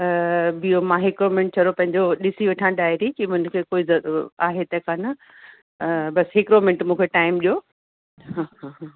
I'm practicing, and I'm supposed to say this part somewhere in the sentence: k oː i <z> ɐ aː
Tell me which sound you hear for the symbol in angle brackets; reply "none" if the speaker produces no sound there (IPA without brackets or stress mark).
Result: z